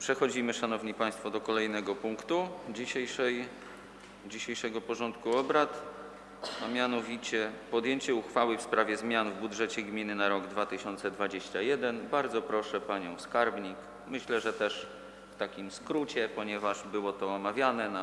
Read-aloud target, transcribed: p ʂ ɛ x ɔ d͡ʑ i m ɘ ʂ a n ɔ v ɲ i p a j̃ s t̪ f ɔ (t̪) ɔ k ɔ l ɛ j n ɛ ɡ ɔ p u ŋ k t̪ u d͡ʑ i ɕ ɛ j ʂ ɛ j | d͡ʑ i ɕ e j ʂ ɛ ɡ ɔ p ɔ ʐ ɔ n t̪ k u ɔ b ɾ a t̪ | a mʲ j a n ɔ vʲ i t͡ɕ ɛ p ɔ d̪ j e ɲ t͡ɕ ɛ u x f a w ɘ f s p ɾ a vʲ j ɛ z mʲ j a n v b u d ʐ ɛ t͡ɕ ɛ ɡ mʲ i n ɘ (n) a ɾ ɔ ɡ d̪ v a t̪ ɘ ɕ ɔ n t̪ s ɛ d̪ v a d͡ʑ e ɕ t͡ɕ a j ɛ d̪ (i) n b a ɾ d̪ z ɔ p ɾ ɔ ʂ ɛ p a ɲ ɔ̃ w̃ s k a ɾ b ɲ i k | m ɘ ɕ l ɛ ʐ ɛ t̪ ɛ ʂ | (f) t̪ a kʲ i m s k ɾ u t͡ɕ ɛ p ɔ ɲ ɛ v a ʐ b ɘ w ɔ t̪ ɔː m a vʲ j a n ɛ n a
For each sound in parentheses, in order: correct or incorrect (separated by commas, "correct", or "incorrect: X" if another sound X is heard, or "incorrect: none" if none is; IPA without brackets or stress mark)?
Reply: incorrect: d̪, correct, incorrect: ɛ, correct